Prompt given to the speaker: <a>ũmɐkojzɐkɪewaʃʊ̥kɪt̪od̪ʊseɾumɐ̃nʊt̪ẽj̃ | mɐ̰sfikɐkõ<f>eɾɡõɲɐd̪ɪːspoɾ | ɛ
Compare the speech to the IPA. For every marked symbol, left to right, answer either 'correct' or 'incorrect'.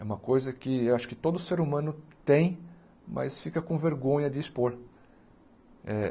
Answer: incorrect: ɛ, incorrect: v

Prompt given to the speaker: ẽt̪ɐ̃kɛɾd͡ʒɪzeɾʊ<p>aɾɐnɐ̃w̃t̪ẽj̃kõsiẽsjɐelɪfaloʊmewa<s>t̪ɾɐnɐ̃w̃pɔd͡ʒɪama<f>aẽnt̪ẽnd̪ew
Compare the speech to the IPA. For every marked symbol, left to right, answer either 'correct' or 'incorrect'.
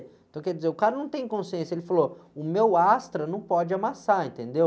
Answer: incorrect: k, correct, incorrect: s

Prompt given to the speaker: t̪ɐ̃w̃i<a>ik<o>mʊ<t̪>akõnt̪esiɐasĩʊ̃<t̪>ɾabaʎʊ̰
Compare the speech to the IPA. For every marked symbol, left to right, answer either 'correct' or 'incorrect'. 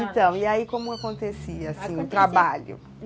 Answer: correct, incorrect: õ, incorrect: none, correct

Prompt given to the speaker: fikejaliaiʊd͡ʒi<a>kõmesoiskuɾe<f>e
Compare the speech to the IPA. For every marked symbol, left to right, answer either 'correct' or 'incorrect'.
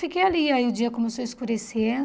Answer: incorrect: ɐ, incorrect: s

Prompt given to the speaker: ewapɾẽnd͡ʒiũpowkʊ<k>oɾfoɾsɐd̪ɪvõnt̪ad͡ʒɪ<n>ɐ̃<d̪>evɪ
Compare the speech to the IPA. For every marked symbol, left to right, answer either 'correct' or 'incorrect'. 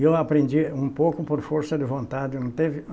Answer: incorrect: p, correct, incorrect: t̪

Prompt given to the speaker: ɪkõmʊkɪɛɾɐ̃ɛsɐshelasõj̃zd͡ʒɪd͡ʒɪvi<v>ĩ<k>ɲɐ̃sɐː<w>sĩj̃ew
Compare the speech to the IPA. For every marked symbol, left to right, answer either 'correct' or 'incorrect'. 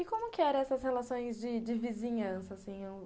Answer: incorrect: z, incorrect: none, incorrect: none

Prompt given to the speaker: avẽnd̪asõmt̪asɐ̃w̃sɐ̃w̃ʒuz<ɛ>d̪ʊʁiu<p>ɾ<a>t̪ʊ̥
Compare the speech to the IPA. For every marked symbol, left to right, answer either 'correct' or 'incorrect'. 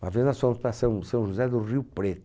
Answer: correct, correct, incorrect: e

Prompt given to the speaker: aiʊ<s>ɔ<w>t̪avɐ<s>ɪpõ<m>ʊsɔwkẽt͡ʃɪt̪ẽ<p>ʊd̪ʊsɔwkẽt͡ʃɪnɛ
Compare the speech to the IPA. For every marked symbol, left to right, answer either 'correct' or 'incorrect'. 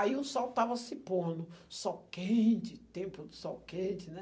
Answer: correct, correct, correct, incorrect: n, correct

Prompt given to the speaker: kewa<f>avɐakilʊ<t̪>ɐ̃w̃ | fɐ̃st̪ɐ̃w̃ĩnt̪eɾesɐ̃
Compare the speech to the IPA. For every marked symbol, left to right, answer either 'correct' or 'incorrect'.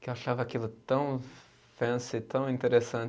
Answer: incorrect: ʃ, correct

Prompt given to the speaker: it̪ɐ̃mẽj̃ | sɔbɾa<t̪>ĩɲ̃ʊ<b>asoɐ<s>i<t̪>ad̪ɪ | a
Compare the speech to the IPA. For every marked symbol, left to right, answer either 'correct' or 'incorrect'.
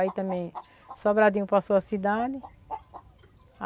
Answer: incorrect: d̪, incorrect: p, correct, incorrect: d̪

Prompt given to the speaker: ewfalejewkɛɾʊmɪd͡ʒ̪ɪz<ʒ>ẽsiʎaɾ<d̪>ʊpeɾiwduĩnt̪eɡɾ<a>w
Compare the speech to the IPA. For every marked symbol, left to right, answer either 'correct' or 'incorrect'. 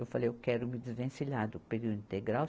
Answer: incorrect: v, correct, correct

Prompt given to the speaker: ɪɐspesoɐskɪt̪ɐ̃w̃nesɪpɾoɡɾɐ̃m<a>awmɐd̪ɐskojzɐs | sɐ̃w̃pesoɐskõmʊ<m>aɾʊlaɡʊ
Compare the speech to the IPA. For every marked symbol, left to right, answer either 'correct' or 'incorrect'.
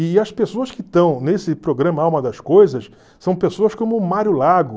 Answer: incorrect: ɐ, correct

